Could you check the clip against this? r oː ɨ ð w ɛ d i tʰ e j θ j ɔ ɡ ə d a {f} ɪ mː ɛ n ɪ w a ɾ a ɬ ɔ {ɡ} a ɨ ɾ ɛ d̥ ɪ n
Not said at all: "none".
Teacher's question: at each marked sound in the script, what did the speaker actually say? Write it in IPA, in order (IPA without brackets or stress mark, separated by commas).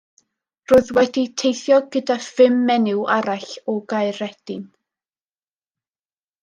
f, ɡ